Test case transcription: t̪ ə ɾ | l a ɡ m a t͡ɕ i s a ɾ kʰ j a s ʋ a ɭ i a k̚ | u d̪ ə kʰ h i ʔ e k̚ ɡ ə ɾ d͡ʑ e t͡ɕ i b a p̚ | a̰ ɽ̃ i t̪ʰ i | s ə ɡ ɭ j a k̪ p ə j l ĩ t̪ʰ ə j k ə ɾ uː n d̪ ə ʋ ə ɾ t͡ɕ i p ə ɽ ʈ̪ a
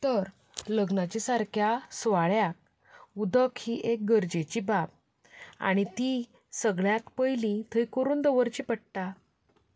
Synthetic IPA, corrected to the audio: t̪ ə ɾ | l ə ɡ n a t͡ɕ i s a ɾ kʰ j a s ʋ a ɭ j a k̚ | u d̪ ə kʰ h i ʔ e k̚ ɡ ə ɾ d͡ʑ e t͡ɕ i b a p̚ | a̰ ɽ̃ i t̪ i | s ə ɡ ɭ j a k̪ p ə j l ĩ t̪ʰ ə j k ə ɾ uː n d̪ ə ʋ ə ɾ t͡ɕ i p ə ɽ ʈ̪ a